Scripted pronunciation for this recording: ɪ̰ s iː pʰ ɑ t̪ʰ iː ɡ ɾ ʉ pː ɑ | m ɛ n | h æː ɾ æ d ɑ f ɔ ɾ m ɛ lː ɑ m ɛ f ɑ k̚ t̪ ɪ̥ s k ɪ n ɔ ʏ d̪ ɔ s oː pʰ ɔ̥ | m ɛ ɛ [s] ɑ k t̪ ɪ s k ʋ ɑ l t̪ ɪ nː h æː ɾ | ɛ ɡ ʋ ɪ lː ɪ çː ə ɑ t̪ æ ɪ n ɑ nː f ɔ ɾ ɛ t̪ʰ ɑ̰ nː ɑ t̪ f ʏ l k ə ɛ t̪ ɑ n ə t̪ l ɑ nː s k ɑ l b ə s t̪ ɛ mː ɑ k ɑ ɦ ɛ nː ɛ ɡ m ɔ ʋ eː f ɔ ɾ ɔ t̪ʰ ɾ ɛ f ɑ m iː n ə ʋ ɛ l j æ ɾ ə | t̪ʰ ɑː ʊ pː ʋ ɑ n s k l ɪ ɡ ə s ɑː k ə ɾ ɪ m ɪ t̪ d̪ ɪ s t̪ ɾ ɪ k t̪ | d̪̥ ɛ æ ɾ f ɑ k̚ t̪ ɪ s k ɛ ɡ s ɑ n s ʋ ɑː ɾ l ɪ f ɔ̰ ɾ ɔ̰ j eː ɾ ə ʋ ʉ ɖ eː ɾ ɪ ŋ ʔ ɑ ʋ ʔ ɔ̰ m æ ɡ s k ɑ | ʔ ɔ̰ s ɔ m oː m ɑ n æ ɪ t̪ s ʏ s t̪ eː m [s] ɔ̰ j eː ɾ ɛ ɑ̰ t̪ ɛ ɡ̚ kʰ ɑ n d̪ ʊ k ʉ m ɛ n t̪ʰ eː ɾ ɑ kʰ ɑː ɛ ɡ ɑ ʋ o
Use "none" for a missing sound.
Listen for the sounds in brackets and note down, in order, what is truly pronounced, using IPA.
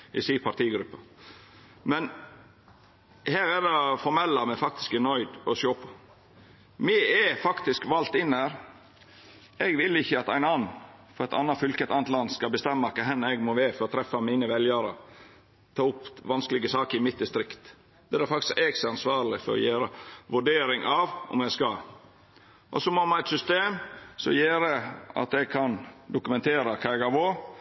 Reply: f, s

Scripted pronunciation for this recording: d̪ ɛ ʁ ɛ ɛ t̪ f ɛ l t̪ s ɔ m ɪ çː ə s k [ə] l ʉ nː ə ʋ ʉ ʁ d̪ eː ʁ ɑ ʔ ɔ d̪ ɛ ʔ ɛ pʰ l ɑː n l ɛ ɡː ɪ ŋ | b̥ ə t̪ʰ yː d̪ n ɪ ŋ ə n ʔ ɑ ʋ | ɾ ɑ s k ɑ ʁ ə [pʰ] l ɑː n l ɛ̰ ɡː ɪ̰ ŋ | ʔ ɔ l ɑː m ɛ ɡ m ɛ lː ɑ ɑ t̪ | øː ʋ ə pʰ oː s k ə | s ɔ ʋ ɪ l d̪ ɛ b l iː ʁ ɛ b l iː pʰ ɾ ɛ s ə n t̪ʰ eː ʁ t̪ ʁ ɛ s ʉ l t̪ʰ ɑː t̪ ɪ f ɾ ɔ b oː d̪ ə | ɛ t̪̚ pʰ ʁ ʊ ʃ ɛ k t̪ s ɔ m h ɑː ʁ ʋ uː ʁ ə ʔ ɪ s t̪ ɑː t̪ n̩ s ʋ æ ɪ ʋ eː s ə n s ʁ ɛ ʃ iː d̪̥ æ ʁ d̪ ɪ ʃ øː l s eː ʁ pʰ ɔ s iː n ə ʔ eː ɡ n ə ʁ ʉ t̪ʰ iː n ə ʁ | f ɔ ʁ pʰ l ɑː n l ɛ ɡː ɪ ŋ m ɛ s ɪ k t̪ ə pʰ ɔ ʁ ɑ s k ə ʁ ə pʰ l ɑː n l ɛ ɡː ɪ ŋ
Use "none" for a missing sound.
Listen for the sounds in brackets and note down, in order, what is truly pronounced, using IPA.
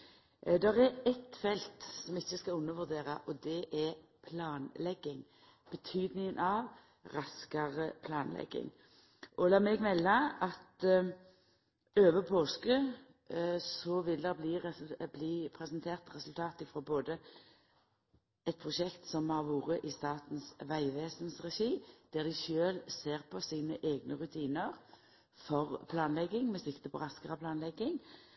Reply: ɑ, pʰ

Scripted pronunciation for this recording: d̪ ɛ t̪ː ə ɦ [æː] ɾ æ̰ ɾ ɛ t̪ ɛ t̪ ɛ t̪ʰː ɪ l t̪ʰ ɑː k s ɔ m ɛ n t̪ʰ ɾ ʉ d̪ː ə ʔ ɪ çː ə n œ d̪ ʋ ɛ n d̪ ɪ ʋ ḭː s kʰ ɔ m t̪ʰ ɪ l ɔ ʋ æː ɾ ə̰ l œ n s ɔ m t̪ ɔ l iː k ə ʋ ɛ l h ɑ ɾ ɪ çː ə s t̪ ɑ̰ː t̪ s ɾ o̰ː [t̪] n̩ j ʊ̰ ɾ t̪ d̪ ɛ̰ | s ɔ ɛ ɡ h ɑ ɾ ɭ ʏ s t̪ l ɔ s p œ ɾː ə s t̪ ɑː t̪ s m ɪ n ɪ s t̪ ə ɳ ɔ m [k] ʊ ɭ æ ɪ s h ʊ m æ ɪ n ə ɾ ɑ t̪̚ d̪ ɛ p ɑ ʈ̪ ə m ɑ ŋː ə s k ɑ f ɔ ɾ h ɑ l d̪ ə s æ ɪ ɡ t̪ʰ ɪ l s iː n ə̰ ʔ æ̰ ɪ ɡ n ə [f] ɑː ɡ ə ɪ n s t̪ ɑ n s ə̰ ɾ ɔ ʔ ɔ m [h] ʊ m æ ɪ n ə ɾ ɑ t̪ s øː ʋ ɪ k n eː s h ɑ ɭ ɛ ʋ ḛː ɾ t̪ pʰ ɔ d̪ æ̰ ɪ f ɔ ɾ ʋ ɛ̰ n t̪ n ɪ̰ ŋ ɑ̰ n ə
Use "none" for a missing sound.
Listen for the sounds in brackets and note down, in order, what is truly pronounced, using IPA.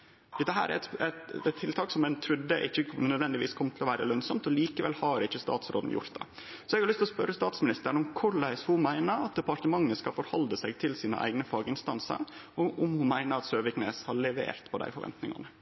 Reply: æː, d̪, kʰ, f, h

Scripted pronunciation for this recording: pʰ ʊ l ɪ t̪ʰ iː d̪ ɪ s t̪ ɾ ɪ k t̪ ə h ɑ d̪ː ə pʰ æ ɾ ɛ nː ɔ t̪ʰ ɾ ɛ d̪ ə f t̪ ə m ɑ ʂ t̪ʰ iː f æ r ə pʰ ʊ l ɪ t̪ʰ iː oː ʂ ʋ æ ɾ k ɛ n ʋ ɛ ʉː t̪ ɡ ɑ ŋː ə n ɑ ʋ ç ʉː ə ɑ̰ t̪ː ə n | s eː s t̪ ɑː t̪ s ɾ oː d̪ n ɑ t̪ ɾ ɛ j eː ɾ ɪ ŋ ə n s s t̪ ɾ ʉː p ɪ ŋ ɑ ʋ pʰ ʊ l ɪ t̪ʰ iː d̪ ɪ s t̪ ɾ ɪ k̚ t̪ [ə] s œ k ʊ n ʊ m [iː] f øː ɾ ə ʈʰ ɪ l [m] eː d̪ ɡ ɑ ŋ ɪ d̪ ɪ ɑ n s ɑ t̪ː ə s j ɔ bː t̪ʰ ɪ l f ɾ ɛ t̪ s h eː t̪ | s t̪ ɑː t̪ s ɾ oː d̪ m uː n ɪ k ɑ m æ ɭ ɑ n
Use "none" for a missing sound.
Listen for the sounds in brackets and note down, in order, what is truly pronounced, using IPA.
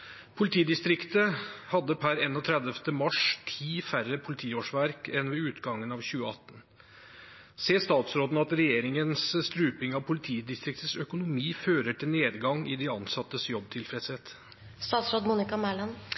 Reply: ə, iː, n

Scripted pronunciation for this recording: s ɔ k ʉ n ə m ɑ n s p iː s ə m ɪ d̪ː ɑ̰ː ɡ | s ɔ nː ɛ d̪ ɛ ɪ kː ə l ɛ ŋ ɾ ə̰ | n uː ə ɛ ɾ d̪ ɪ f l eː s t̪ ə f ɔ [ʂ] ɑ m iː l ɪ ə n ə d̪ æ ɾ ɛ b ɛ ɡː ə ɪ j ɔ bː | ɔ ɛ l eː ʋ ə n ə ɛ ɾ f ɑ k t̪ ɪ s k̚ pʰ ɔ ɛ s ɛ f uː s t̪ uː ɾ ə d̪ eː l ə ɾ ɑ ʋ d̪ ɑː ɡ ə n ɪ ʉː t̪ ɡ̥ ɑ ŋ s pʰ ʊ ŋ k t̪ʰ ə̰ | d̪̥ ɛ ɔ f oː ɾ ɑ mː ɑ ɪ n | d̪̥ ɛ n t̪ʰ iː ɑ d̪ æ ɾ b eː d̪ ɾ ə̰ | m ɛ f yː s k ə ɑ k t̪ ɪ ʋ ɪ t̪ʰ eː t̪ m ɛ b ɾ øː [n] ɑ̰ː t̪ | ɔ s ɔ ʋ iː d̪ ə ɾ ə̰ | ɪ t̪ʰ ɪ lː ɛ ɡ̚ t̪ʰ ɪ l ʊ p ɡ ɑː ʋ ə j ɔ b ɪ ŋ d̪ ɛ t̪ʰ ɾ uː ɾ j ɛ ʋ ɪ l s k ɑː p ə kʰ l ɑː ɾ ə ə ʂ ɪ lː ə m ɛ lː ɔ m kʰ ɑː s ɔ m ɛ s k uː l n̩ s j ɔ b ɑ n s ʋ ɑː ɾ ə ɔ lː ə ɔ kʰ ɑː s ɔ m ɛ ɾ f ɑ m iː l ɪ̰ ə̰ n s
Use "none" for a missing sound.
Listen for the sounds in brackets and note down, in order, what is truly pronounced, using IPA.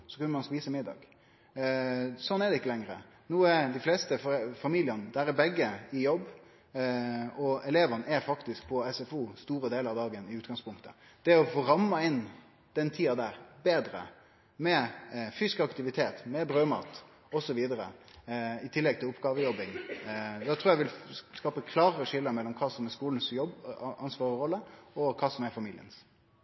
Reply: f, m

